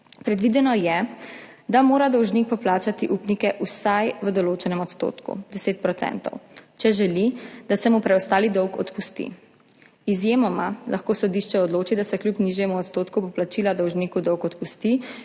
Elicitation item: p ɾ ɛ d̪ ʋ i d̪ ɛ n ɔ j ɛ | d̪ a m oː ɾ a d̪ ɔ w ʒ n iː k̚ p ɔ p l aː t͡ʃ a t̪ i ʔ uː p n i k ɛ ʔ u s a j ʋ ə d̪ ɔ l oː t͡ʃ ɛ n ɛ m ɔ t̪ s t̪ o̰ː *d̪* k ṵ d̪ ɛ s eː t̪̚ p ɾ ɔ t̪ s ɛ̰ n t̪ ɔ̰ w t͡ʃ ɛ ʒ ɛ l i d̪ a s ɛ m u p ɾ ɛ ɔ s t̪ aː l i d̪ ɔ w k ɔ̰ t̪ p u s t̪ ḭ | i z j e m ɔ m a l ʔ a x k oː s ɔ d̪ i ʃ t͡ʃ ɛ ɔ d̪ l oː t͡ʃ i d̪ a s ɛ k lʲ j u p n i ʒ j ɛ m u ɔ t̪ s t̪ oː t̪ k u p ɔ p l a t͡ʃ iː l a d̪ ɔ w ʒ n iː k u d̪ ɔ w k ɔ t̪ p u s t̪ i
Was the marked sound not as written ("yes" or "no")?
yes